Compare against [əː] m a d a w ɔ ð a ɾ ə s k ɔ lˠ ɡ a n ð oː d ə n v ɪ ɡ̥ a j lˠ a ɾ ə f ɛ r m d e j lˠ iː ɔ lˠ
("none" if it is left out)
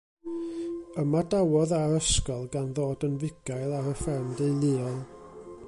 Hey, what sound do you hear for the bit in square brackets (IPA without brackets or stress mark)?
ə